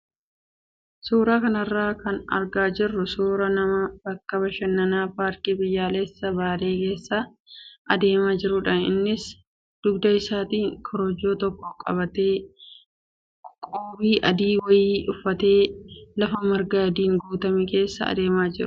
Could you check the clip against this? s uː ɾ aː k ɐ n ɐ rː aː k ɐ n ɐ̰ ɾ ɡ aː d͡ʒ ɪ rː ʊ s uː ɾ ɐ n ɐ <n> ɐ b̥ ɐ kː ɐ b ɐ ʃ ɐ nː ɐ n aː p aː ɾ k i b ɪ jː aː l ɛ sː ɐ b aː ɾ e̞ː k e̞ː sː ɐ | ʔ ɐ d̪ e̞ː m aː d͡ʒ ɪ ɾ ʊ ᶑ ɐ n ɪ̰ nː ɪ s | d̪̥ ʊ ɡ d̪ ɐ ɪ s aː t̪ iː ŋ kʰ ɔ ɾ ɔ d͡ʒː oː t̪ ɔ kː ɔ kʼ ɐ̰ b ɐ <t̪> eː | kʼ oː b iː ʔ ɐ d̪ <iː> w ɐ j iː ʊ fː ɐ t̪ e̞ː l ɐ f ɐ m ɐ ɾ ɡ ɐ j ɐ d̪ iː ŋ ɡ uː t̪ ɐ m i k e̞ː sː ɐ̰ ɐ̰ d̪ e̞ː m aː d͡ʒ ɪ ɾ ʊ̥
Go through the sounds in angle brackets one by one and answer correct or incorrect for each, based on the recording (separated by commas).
incorrect, correct, correct